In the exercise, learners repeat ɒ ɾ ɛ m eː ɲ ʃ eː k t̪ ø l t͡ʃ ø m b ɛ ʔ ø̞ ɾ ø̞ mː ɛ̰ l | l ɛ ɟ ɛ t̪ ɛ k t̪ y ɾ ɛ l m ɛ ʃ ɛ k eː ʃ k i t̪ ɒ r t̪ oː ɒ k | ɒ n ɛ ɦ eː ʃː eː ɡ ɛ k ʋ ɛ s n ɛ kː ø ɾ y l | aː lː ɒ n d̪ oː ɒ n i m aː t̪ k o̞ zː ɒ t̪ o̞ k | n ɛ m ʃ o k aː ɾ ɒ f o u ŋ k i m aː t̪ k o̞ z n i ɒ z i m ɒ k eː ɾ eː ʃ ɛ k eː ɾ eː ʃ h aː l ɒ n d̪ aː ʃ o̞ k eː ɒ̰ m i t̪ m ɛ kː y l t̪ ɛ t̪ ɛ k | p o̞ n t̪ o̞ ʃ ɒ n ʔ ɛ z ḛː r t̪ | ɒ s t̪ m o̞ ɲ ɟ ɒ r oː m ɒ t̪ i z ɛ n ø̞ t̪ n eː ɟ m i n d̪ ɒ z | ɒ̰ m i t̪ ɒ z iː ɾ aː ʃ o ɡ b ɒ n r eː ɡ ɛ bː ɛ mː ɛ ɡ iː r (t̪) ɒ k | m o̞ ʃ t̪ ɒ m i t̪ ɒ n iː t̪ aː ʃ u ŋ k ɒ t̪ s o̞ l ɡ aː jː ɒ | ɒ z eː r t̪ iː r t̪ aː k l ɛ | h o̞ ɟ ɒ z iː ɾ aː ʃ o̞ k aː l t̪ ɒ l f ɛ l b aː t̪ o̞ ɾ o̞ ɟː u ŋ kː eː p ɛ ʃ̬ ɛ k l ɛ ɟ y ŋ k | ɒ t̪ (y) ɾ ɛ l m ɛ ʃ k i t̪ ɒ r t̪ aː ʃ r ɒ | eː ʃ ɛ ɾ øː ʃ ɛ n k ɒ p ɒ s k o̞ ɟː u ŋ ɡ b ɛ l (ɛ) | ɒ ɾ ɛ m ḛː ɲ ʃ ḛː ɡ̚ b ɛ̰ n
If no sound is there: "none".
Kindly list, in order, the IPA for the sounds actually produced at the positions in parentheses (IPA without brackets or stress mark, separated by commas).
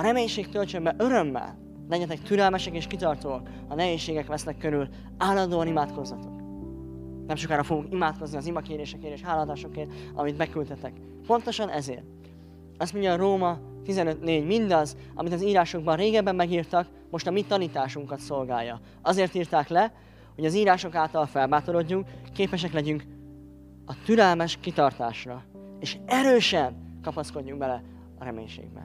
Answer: t̪, y, ɛ